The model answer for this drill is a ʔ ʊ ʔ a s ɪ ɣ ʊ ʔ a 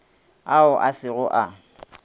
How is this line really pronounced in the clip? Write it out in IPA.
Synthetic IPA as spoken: a ʊ ʔ a s ɪ ɣ ʊ ʔ a